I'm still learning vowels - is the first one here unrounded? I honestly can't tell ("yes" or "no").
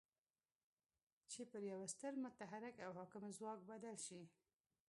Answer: yes